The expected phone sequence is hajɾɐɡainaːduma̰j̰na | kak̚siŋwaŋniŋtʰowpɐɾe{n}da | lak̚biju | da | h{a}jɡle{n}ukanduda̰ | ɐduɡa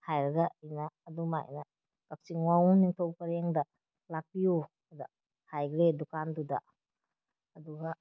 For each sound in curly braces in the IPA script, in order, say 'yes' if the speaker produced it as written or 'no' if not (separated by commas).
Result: no, yes, no